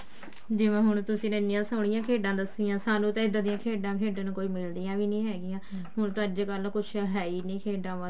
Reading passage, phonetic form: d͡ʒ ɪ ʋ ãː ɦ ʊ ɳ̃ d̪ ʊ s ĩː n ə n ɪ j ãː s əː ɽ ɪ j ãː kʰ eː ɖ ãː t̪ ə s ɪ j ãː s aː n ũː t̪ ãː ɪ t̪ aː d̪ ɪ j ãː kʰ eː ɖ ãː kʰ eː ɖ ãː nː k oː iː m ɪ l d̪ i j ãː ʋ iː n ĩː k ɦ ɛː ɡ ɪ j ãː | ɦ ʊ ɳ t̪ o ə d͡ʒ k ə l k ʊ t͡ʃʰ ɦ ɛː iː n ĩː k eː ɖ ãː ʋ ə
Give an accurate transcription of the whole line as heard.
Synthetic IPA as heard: d͡ʒ ɪ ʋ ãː ɦ ʊ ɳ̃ t̪ ʊ s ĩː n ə n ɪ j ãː s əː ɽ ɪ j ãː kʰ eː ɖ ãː d̪ ə s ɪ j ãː s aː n ũː t̪ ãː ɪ d̪ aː d̪ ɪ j ãː kʰ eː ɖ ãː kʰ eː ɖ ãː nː k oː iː m ɪ l d̪ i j ãː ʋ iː n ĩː ɦ ɛː ɡ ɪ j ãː | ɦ ʊ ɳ t̪ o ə d͡ʒ k ə l k ʊ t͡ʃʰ ɦ ɛː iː n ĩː kʰ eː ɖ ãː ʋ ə